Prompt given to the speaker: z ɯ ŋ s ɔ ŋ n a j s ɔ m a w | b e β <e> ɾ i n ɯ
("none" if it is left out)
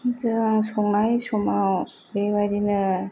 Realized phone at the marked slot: a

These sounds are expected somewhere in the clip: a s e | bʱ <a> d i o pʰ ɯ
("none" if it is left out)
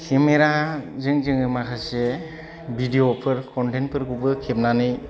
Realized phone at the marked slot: i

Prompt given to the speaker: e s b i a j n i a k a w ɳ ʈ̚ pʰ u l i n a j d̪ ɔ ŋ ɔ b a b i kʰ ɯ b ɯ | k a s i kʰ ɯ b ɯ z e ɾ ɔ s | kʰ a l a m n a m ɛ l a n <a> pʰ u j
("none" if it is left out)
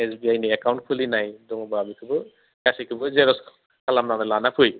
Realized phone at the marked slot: a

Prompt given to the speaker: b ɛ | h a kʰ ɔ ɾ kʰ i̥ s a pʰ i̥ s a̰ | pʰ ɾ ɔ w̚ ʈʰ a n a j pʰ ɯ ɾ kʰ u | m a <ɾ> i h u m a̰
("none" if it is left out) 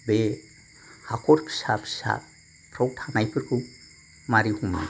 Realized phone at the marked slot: ɾ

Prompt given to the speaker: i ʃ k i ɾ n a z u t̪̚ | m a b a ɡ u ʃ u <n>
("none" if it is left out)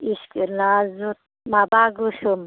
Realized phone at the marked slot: m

